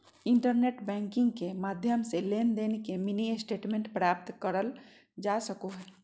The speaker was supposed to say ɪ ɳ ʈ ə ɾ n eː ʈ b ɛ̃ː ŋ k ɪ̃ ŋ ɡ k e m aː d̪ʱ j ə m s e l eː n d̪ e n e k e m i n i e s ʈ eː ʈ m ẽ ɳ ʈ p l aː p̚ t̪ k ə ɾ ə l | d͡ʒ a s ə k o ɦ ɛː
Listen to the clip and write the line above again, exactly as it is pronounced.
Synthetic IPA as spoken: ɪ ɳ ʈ ə ɾ n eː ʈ b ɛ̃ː ŋ k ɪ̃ ŋ ɡ k e m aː d̪ʱ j ə m s e l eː n d̪ e n e k e m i n i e s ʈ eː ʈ m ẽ ɳ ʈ p ɾ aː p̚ t̪ k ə ɾ ə l | d͡ʒ a s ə k o ɦ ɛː